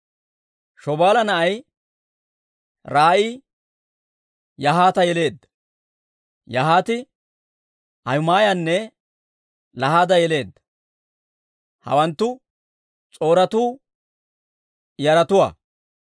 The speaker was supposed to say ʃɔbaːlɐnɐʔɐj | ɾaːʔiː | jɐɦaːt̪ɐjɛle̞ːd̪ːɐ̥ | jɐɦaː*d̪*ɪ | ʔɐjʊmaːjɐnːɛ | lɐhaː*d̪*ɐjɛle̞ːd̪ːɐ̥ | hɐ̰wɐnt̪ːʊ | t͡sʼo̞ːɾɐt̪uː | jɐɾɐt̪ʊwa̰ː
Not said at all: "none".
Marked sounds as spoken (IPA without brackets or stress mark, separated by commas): t̪, d̪